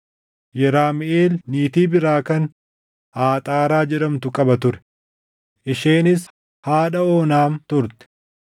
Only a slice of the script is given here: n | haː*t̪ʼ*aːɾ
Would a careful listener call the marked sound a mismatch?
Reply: no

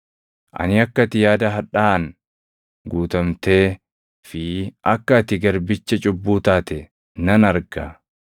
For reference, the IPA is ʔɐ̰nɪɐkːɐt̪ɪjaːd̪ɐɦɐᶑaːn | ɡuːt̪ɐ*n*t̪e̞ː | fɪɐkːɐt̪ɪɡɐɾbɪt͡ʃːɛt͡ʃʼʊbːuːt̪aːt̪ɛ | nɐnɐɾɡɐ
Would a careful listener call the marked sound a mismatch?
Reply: yes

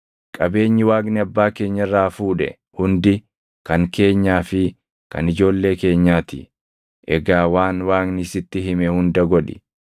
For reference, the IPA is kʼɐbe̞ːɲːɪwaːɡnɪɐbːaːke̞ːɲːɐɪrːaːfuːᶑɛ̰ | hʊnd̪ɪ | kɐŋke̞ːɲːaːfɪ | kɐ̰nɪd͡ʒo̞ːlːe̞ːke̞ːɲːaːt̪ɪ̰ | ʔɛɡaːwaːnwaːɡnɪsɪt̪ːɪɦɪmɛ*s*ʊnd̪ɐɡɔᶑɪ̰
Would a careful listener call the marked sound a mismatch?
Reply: yes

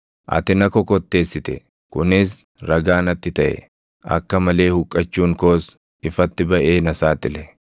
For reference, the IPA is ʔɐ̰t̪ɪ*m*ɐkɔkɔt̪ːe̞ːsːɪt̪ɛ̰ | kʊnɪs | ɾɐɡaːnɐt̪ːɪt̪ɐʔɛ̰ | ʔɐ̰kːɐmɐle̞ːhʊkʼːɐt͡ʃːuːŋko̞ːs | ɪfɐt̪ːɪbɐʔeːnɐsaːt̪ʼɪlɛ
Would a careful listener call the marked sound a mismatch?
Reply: yes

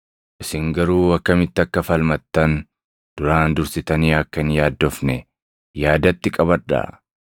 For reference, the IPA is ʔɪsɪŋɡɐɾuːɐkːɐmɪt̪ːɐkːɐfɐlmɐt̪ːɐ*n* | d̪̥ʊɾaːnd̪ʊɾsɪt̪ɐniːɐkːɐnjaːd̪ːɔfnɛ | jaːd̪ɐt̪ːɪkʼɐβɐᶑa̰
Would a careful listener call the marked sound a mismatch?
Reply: no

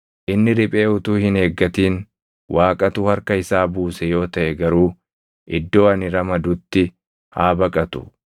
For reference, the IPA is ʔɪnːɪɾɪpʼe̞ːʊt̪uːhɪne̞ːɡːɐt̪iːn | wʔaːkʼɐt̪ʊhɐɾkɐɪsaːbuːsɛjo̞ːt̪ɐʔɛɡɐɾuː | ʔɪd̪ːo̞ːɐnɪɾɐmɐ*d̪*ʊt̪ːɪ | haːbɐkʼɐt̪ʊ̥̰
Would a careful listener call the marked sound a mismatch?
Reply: no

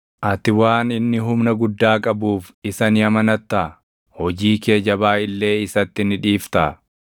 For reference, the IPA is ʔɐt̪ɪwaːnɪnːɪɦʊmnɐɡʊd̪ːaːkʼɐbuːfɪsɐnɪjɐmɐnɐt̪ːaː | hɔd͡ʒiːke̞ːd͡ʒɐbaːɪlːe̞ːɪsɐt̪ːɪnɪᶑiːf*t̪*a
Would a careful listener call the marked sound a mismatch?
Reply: no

